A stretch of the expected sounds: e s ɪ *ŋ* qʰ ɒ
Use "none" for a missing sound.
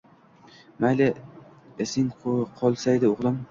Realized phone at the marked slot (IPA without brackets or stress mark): ŋ